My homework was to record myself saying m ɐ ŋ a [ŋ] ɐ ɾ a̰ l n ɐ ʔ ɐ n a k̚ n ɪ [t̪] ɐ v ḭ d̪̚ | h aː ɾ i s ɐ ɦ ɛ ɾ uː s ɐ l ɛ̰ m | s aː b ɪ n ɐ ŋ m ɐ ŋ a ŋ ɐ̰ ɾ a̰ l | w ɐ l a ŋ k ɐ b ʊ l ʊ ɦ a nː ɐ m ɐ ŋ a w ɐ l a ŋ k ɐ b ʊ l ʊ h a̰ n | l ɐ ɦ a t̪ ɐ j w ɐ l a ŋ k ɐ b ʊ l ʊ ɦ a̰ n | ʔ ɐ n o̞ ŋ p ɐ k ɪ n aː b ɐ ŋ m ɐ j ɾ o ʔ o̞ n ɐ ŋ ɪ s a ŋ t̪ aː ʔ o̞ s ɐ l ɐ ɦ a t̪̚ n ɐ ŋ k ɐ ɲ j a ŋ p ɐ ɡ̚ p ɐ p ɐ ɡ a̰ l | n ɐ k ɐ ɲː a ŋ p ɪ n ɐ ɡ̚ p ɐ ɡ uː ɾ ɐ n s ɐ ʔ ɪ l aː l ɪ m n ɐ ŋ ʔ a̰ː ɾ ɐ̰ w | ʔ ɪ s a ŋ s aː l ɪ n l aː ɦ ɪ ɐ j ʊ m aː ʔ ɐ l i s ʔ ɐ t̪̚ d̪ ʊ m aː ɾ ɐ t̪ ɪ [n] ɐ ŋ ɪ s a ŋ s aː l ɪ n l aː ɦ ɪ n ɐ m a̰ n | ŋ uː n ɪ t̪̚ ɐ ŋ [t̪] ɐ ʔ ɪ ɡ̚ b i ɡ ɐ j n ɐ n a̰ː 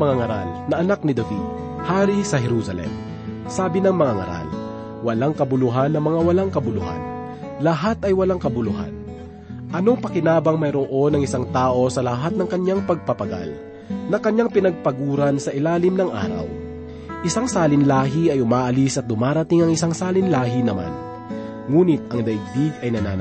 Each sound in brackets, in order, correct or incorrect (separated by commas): correct, incorrect, incorrect, incorrect